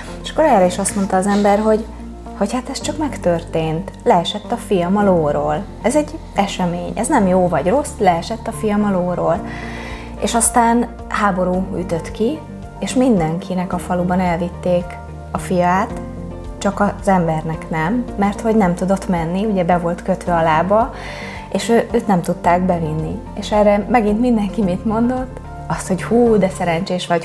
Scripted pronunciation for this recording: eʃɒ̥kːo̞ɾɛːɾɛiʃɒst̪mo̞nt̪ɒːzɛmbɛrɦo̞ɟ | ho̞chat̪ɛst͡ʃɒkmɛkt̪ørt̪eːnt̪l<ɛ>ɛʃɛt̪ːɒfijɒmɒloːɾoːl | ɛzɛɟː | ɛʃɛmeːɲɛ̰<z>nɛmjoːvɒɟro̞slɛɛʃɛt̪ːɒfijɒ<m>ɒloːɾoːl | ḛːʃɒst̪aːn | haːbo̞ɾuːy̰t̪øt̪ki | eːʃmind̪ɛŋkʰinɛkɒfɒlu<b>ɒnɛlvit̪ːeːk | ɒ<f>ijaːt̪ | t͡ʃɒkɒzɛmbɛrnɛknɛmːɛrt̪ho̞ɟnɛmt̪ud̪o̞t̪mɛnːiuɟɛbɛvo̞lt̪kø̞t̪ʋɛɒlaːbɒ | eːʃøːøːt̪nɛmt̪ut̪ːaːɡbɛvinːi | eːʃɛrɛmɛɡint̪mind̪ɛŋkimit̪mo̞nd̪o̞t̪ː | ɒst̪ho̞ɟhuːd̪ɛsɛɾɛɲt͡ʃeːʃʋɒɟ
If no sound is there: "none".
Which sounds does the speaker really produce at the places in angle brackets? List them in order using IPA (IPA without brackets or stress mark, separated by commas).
ɛ, z, m, b, f